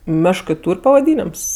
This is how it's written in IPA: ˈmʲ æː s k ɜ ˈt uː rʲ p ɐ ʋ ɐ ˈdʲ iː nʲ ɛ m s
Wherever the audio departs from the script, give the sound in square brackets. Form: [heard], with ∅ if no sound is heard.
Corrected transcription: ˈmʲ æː [ʃ] k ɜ ˈt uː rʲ p ɐ ʋ ɐ ˈdʲ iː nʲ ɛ m s